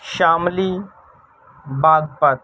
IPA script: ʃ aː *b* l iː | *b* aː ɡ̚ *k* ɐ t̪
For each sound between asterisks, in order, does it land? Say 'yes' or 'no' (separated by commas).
no, yes, no